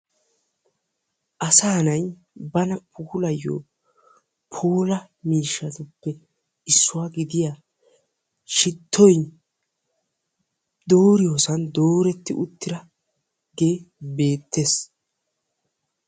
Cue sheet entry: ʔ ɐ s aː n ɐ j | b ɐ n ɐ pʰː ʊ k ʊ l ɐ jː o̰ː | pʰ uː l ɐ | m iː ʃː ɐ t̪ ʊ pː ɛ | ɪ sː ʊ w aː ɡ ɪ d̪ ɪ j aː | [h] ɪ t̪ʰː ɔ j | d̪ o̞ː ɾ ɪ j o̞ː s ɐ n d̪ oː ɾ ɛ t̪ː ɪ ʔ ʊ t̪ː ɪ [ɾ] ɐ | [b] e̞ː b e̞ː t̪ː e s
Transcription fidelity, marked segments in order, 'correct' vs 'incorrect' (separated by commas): incorrect, correct, incorrect